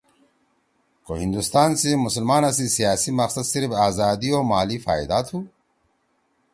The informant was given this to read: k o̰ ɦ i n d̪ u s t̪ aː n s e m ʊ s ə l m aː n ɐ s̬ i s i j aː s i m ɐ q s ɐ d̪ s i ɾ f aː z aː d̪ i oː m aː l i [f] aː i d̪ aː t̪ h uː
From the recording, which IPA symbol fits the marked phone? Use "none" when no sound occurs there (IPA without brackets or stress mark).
f